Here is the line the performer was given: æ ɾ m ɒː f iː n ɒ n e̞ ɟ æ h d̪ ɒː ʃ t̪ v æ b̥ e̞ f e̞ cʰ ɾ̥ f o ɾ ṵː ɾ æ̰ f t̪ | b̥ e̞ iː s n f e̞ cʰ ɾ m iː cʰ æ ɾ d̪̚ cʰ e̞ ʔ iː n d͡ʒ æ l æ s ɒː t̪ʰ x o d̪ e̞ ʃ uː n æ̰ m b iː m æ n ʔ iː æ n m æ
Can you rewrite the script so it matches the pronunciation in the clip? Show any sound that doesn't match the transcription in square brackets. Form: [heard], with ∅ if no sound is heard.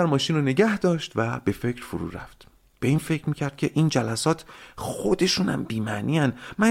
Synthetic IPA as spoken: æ ɾ m ɒː [ʃ] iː n [o] n e̞ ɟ æ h d̪ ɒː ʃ t̪ v æ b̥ e̞ f e̞ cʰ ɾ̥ f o ɾ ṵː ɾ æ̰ f t̪ | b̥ e̞ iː [∅] n f e̞ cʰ ɾ m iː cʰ æ ɾ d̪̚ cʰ e̞ ʔ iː n d͡ʒ æ l æ s ɒː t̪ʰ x o d̪ e̞ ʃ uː n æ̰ m b iː m æ n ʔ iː æ n m æ